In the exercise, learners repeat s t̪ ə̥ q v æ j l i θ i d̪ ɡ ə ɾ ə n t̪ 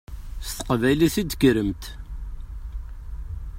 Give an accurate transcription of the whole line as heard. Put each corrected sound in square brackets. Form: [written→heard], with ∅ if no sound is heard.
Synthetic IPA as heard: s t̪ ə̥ q v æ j l i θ i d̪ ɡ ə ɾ ə [n→m] t̪